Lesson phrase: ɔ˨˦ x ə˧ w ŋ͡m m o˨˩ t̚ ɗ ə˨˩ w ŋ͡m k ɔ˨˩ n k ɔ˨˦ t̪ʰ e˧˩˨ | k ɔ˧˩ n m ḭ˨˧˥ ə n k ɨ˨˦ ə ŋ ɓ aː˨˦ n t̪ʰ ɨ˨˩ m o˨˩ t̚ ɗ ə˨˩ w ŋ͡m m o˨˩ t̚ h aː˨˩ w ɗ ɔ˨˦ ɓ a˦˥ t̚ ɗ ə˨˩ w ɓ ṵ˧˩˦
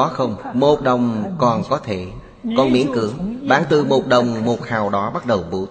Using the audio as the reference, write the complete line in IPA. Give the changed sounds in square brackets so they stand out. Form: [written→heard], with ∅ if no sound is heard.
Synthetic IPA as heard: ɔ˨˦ x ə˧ w ŋ͡m m o˨˩ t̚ ɗ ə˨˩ w ŋ͡m k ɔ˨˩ n k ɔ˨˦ t̪ʰ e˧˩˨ | k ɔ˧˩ n m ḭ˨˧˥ ə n k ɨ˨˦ ə ŋ ɓ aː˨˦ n [t̪ʰ→t̪] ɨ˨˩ m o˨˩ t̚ ɗ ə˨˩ w ŋ͡m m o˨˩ t̚ h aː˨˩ w ɗ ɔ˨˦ ɓ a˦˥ t̚ ɗ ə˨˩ w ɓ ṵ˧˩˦